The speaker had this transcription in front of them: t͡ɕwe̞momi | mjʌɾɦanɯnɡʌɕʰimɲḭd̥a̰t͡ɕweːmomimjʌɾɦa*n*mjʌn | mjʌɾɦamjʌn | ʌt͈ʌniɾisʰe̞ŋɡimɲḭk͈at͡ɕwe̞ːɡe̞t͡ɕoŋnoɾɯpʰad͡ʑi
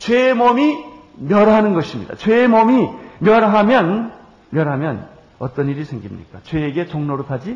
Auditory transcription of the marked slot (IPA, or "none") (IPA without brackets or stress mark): none